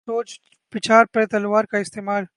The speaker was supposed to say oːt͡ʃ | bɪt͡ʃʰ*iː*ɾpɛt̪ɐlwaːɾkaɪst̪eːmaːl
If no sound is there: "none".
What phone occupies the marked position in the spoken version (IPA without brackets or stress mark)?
aː